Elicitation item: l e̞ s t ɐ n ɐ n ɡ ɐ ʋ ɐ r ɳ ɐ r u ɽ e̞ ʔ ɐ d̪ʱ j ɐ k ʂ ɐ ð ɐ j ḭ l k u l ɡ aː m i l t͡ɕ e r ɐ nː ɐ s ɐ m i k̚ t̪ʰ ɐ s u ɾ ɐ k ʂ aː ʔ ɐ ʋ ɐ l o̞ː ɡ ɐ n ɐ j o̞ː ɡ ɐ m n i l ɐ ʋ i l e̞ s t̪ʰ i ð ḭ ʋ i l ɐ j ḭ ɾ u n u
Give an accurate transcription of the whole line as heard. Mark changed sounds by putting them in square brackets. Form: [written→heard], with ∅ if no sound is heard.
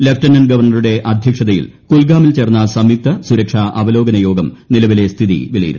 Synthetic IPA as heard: l e̞ [s→f] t ɐ n ɐ n ɡ ɐ ʋ ɐ r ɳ ɐ r u ɽ e̞ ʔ ɐ d̪ʱ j ɐ k ʂ ɐ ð ɐ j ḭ l k u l ɡ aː m i l t͡ɕ e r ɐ nː ɐ s ɐ m i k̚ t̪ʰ ɐ s u ɾ ɐ k ʂ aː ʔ ɐ ʋ ɐ l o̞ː ɡ ɐ n ɐ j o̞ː ɡ ɐ m n i l ɐ ʋ i l e̞ s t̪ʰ i ð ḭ ʋ i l ɐ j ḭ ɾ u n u